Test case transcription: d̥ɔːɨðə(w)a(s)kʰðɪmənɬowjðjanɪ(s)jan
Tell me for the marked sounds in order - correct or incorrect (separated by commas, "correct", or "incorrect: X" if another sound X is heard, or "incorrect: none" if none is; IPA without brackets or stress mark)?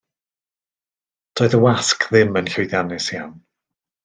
correct, correct, correct